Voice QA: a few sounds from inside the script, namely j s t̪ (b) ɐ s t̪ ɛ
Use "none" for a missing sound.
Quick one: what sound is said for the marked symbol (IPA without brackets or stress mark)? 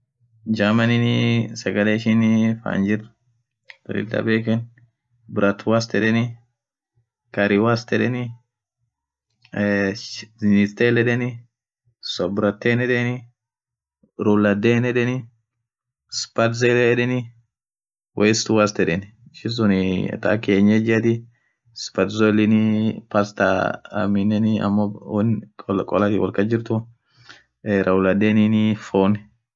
w